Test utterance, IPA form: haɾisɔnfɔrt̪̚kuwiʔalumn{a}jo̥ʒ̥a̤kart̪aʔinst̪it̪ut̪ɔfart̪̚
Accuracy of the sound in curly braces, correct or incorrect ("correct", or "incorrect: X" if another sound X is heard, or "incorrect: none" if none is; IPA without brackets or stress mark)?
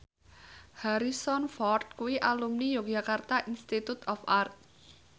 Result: incorrect: i